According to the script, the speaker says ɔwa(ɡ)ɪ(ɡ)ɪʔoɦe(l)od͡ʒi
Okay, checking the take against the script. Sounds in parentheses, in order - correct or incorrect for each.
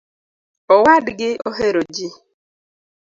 incorrect: d, correct, incorrect: ɾ

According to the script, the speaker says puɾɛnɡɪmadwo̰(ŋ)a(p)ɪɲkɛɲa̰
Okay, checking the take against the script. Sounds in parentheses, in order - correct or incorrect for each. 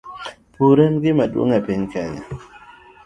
correct, correct

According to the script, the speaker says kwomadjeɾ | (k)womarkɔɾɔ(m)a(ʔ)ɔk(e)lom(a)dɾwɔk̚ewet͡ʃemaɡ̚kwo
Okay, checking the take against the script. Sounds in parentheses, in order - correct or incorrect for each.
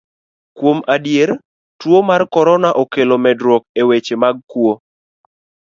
incorrect: t, incorrect: n, correct, correct, incorrect: ɛ

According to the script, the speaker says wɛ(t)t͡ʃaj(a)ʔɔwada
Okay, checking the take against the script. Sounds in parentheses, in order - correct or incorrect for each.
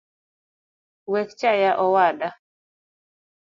incorrect: k, correct

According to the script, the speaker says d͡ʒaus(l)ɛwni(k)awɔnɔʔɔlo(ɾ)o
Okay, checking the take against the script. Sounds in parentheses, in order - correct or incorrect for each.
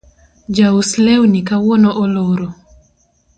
correct, correct, correct

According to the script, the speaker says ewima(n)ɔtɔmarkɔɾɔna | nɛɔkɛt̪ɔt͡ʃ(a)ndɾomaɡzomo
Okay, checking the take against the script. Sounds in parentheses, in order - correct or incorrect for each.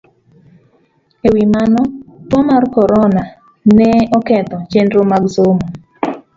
correct, incorrect: e

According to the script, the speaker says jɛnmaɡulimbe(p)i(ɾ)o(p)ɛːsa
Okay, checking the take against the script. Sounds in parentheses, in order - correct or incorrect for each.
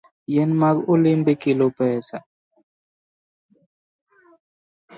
incorrect: k, incorrect: l, correct

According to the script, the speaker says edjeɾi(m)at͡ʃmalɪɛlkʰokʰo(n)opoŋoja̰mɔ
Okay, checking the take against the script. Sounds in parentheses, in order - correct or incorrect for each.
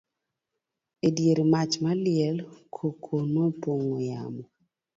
correct, correct

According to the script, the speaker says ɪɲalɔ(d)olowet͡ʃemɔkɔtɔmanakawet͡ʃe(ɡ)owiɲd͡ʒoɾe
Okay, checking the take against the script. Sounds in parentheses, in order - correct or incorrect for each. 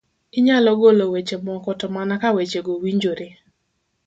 incorrect: ɡ, correct

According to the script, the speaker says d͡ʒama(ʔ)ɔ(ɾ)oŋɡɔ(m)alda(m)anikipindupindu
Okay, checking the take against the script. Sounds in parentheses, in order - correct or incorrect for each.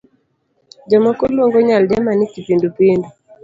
incorrect: k, incorrect: l, incorrect: ɲ, correct

